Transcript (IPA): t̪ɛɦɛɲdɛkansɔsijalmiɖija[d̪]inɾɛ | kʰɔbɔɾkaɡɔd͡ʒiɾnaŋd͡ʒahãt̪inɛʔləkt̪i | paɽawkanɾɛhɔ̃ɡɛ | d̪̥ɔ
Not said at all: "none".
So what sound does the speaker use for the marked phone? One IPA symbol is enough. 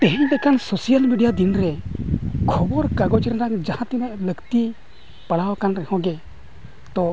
d̪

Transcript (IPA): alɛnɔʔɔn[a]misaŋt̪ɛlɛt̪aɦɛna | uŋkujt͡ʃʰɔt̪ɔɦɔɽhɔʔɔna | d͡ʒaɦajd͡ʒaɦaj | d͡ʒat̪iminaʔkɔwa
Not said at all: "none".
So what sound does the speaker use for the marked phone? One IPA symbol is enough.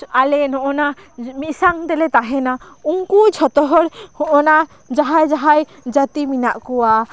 a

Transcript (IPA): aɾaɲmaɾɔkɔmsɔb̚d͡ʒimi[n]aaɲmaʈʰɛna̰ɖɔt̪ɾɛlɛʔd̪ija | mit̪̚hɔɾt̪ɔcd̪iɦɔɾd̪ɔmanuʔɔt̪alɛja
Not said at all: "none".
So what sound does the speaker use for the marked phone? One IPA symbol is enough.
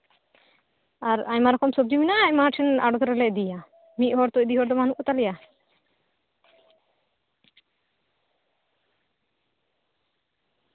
n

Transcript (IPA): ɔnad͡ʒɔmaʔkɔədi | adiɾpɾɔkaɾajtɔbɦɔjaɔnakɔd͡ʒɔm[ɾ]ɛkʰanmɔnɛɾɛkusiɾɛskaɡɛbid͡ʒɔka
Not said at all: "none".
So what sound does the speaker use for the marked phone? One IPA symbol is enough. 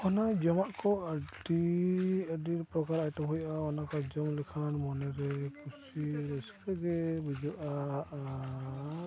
l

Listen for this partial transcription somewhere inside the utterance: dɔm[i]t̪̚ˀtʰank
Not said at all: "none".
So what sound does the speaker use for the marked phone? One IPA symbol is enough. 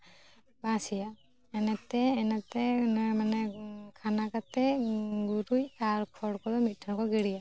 i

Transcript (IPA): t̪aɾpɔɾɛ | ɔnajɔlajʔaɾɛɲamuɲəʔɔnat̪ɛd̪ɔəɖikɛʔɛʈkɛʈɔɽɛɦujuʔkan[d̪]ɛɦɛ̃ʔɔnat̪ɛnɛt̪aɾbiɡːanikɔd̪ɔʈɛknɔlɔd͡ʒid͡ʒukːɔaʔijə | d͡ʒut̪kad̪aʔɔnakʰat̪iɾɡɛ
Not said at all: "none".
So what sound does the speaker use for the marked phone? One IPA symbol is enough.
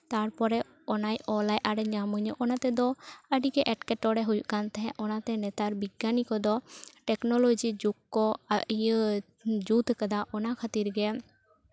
t̪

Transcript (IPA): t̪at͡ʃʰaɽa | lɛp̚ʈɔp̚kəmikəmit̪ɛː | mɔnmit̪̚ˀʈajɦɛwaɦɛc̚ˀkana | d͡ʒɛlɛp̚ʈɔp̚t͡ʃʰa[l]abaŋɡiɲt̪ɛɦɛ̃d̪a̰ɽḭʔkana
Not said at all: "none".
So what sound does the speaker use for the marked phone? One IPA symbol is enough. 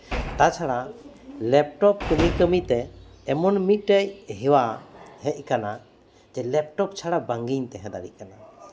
ɽ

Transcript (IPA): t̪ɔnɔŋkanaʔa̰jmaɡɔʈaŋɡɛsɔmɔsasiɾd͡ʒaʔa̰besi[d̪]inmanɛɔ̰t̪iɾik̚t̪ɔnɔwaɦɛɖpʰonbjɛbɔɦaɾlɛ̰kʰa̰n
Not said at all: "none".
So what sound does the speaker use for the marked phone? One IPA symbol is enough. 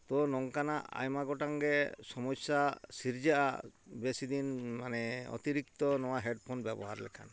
d̪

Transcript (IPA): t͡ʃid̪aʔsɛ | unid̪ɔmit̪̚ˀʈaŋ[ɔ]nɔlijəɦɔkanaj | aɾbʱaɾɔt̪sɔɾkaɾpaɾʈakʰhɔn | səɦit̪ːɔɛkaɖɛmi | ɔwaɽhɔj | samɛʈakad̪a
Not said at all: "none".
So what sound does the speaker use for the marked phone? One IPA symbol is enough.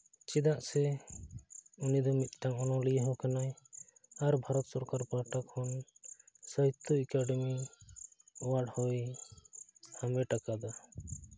ɔ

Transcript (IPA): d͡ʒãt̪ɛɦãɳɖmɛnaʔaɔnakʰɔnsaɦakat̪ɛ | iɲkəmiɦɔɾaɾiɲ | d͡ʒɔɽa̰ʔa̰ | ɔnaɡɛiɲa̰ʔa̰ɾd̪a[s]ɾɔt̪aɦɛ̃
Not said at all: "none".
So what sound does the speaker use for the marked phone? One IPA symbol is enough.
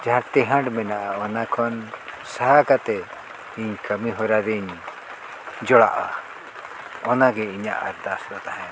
s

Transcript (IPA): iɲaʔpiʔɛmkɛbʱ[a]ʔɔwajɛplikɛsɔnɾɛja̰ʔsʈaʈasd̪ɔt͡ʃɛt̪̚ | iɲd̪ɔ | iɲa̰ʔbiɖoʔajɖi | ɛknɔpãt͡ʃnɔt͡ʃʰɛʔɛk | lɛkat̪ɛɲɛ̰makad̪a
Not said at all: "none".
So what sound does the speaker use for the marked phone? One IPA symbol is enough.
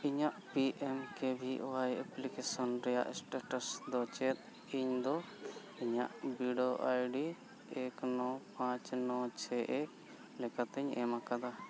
i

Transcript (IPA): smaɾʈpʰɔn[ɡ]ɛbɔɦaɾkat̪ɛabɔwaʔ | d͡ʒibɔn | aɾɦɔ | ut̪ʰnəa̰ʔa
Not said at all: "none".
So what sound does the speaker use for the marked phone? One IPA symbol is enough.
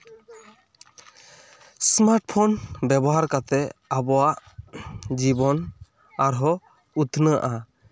b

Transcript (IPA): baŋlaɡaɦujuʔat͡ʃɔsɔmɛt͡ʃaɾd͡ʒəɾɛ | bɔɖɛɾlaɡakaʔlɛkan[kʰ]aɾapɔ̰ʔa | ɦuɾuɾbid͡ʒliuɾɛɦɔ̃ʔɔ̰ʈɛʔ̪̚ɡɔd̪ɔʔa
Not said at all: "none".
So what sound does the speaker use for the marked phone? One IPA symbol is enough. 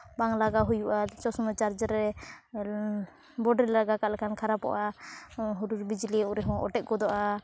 kʰ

